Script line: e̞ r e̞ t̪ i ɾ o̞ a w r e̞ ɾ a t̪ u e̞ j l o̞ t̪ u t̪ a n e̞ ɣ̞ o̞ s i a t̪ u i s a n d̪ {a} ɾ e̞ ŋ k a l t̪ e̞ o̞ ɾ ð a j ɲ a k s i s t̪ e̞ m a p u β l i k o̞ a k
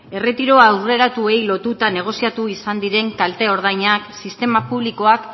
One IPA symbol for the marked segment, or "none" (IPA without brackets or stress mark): i